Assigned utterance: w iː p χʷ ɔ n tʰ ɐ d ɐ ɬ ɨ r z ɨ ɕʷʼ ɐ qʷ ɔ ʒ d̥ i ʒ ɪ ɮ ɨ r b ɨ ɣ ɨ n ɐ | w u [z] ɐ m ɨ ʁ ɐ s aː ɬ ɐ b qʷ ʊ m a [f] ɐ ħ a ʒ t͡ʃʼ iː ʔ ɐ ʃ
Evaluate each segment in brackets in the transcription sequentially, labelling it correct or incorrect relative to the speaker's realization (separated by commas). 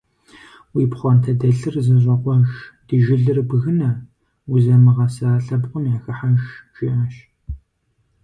correct, incorrect